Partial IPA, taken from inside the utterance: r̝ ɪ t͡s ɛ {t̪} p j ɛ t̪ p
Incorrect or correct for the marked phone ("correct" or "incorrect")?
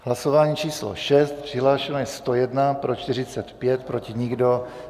correct